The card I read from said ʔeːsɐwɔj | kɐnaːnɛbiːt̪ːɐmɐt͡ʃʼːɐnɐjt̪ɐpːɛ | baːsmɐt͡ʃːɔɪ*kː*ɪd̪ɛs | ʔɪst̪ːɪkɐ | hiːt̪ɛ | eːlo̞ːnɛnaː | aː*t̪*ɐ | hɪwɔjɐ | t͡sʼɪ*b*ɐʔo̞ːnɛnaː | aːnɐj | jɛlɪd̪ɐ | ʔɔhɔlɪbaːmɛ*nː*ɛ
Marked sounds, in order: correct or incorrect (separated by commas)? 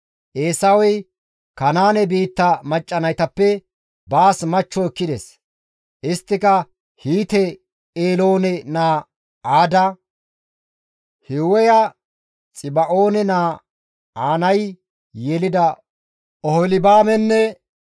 correct, incorrect, correct, correct